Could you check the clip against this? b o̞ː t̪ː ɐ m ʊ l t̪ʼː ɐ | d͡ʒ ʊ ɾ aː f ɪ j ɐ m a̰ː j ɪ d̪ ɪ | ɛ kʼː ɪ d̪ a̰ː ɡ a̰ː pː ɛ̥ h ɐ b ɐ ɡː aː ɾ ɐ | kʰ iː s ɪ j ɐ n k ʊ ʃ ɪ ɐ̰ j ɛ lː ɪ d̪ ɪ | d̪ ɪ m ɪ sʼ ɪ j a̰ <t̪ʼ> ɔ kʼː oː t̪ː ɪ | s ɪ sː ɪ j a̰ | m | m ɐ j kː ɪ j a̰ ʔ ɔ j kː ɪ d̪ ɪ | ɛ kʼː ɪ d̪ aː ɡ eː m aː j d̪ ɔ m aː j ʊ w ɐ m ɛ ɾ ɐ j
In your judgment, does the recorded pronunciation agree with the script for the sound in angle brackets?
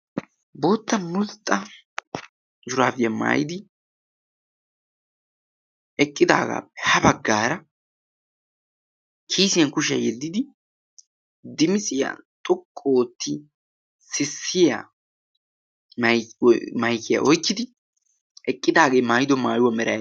yes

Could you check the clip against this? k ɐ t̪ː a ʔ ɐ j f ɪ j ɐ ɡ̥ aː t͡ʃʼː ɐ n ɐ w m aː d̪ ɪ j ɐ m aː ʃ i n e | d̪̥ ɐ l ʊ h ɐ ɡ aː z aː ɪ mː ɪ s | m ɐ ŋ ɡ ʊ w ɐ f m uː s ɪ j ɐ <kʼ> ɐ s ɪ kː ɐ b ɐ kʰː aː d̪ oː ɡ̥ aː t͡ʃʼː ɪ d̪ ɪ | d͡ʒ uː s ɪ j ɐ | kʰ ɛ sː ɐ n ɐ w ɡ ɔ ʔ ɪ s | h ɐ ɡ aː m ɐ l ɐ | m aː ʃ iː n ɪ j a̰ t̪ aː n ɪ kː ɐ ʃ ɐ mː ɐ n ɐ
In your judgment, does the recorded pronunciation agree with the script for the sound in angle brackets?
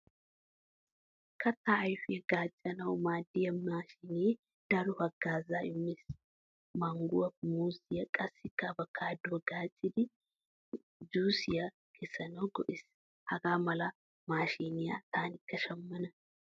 yes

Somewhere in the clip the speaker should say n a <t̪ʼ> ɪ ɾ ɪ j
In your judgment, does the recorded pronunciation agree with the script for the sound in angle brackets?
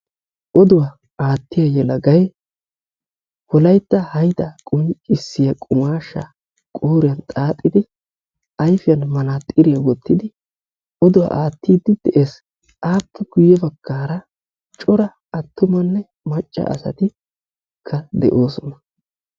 yes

